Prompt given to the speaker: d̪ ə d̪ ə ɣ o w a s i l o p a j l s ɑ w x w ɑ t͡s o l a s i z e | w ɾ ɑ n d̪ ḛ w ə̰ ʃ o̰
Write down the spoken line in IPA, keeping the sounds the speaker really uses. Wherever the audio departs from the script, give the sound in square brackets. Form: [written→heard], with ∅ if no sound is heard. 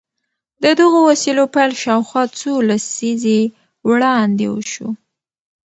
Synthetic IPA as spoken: d̪ ə d̪ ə ɣ o w a s i l o p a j l [s→ʃ] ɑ w x w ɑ t͡s o l a s i z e | w [ɾ→ɽ] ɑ n d̪ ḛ w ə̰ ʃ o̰